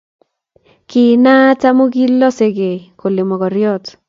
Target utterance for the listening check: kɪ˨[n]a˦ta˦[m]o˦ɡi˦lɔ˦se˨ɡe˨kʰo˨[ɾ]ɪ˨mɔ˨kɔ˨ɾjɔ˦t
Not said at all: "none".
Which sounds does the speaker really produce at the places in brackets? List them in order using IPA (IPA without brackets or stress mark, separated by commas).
n, m, l